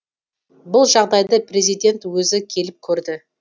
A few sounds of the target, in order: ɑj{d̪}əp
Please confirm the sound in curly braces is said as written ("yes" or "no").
yes